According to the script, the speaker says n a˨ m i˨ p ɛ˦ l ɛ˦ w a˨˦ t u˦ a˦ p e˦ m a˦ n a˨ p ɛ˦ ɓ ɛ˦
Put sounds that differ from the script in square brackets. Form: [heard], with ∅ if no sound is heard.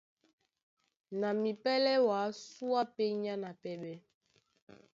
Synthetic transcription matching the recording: n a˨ m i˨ p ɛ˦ l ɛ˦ w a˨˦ [s] u˦ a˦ p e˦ [ɲ] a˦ n a˨ p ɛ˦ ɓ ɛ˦

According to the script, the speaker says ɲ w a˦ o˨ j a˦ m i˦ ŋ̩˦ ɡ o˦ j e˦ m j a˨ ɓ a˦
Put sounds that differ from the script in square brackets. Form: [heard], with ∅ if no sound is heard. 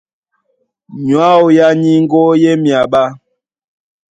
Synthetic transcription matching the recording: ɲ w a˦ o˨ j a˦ [ɲ] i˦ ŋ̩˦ ɡ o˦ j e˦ m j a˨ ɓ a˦

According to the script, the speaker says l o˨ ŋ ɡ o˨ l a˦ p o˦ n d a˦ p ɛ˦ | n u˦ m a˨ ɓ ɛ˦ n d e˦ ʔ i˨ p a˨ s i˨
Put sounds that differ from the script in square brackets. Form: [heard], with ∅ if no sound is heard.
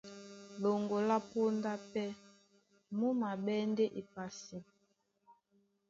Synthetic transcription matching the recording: l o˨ ŋ ɡ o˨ l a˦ p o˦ n d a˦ p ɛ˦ | [m] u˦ m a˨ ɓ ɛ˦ n d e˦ ʔ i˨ p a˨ s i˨

